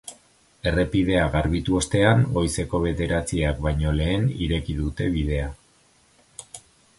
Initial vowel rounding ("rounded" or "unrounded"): unrounded